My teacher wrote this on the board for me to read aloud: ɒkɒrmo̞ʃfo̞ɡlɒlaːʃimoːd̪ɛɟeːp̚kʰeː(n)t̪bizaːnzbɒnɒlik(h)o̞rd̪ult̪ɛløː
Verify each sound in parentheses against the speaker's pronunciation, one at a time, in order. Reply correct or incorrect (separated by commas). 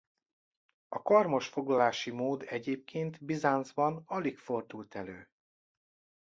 correct, incorrect